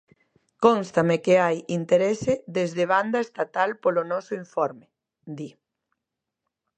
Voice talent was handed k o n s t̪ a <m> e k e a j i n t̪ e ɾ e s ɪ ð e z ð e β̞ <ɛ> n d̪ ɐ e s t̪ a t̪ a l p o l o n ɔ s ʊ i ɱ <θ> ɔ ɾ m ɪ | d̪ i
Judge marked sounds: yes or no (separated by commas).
yes, no, no